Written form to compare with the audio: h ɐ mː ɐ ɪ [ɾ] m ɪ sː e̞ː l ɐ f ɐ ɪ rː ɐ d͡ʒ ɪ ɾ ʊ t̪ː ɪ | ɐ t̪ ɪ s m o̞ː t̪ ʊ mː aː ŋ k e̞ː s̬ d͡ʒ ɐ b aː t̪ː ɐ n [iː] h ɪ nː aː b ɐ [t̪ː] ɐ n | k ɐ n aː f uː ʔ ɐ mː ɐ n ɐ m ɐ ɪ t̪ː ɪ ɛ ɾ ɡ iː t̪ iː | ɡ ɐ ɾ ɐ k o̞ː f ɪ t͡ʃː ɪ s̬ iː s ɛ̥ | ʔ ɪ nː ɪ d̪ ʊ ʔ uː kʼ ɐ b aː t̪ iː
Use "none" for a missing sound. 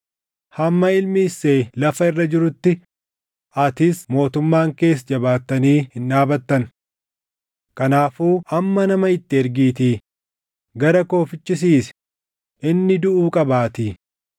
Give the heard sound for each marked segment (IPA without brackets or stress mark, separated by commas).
l, iː, t̪ː